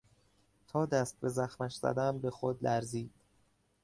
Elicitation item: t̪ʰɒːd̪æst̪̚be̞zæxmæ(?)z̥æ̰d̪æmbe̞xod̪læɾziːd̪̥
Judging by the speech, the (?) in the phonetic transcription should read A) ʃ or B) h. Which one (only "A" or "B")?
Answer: A